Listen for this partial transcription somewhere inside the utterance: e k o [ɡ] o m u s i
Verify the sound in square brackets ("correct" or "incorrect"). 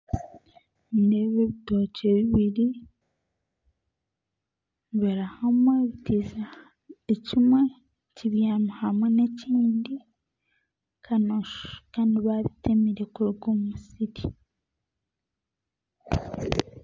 correct